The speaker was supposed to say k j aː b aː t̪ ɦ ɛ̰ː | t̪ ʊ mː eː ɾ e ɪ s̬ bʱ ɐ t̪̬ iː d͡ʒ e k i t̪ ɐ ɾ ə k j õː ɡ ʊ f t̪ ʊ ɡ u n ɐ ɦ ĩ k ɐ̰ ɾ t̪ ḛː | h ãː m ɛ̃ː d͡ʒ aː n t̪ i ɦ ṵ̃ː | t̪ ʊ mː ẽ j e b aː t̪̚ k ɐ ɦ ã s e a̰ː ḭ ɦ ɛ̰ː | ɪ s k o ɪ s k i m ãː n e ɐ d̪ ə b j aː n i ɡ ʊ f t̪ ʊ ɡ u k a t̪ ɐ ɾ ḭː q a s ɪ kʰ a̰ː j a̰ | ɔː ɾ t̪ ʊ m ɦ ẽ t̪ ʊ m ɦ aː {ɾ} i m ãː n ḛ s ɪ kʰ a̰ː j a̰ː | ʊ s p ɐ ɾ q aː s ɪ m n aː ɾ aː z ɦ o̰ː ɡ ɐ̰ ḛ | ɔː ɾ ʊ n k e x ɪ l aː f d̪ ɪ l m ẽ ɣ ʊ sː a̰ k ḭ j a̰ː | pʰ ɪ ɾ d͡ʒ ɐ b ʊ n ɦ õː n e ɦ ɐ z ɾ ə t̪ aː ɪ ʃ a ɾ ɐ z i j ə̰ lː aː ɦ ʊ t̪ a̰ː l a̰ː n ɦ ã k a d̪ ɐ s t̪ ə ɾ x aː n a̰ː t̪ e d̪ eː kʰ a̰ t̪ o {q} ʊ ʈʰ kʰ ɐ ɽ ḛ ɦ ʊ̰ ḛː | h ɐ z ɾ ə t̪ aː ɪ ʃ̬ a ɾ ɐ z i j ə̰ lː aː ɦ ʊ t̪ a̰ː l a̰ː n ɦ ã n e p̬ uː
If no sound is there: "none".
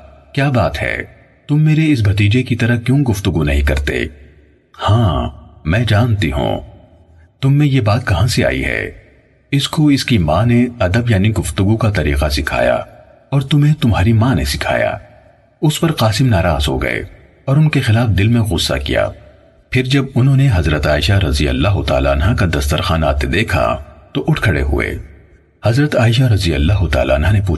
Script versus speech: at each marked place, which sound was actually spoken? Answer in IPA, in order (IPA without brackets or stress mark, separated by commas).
ɾ, ʔ